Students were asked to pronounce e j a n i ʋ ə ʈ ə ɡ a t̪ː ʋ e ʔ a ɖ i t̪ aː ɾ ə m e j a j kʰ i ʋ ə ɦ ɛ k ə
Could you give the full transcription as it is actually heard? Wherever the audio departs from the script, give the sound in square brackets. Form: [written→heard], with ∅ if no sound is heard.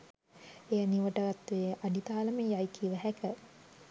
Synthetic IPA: e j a n i ʋ ə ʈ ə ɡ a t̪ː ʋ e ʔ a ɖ i t̪ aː [ɾ→l] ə m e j a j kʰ i ʋ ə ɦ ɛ k ə